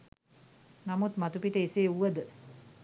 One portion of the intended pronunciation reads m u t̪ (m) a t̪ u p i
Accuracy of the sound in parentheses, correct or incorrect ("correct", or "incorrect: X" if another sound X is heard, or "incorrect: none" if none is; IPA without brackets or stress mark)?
correct